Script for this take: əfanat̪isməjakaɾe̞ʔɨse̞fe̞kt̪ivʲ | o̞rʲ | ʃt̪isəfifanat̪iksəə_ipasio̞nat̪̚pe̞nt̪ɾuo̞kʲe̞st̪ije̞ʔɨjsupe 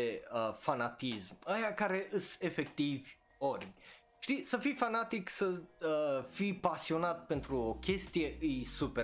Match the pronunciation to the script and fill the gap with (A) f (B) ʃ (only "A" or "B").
A